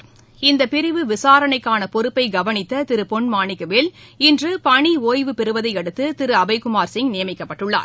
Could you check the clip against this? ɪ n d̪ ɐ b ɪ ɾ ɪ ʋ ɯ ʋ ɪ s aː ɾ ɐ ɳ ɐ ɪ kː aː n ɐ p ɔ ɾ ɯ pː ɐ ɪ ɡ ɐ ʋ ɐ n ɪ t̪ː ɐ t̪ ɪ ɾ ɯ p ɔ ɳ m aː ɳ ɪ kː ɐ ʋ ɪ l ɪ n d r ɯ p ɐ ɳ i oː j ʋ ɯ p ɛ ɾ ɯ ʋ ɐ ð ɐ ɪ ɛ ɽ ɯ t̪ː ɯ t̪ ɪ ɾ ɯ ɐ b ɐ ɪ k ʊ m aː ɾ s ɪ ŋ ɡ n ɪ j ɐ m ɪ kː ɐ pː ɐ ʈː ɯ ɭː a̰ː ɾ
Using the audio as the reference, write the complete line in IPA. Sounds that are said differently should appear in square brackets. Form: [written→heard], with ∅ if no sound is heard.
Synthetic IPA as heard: ɪ n d̪ ɐ [b→p] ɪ ɾ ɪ ʋ ɯ ʋ ɪ s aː ɾ ɐ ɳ ɐ ɪ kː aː n ɐ p ɔ ɾ ɯ pː ɐ ɪ ɡ ɐ ʋ ɐ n ɪ t̪ː ɐ t̪ ɪ ɾ ɯ p ɔ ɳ m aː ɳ ɪ kː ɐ ʋ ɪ l ɪ n d r ɯ p ɐ ɳ i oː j ʋ ɯ p ɛ ɾ ɯ ʋ ɐ ð ɐ ɪ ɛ ɽ ɯ t̪ː ɯ t̪ ɪ ɾ ɯ ɐ b ɐ ɪ k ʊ m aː ɾ s ɪ ŋ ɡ n ɪ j ɐ m ɪ kː ɐ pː ɐ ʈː ɯ ɭː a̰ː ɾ